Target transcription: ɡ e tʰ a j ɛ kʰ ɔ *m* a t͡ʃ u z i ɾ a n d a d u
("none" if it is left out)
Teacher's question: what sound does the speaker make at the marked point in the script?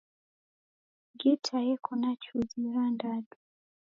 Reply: n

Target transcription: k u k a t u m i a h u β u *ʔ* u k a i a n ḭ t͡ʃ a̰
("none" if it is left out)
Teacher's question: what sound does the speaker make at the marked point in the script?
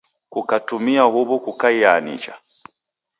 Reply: k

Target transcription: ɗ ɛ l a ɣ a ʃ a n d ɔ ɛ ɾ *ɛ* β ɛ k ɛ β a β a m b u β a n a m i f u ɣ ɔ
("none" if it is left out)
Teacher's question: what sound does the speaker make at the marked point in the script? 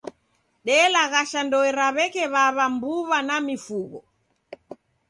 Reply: a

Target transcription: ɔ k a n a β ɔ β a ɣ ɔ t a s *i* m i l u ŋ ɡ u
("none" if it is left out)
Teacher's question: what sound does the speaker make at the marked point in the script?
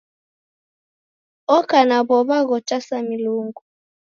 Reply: a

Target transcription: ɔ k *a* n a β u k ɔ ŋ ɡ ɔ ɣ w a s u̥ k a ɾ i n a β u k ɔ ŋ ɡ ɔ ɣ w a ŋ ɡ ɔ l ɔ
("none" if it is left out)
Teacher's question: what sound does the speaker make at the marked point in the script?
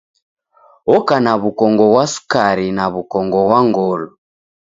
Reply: a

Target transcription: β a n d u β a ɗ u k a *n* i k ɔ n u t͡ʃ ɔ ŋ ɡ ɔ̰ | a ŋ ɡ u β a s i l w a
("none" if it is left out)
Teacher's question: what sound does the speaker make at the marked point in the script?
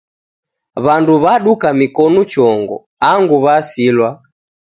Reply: m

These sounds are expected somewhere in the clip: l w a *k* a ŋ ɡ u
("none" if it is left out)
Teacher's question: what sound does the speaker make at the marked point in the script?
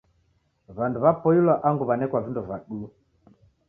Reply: ʔ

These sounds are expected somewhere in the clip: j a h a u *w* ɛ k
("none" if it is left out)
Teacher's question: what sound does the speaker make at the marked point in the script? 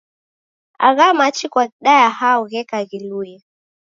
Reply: ɣ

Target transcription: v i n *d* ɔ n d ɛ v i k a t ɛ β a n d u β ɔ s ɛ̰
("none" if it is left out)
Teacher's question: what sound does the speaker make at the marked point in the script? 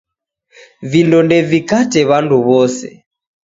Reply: d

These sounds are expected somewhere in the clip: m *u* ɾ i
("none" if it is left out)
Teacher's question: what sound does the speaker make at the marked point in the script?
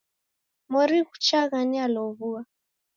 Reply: ɔ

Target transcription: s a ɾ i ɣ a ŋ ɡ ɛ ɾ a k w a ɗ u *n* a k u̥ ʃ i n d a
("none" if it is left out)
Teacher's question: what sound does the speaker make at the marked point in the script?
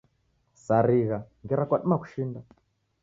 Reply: m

